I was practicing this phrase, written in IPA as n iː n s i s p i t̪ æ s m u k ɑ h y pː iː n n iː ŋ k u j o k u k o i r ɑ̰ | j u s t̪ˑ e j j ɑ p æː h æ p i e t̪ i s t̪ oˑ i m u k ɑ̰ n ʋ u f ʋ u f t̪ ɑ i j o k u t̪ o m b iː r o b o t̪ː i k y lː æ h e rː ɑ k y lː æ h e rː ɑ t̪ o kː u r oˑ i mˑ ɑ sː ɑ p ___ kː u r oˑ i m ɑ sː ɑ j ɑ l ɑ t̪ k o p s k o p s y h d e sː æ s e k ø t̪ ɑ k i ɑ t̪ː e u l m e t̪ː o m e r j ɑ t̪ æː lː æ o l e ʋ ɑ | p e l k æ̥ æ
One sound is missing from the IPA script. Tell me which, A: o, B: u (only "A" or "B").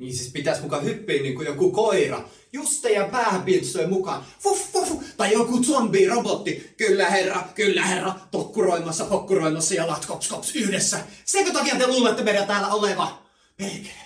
A